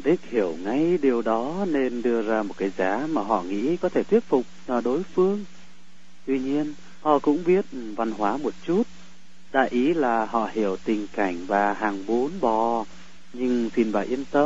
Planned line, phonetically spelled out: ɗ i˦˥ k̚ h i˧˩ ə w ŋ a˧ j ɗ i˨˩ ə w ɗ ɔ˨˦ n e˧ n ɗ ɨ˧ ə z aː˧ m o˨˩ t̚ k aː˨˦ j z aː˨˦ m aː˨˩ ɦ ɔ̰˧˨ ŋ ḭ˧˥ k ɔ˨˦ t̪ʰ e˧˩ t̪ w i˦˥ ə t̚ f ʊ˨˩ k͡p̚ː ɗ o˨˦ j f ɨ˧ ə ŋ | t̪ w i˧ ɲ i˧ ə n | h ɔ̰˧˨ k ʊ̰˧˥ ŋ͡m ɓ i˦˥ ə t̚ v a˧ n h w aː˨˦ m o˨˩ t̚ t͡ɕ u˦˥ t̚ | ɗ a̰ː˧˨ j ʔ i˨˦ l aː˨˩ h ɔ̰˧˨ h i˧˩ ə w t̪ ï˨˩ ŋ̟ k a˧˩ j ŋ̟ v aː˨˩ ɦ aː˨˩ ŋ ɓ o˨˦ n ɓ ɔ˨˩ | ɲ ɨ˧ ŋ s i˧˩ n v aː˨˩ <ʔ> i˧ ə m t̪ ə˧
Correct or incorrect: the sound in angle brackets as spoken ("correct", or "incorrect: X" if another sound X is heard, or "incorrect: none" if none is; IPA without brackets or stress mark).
correct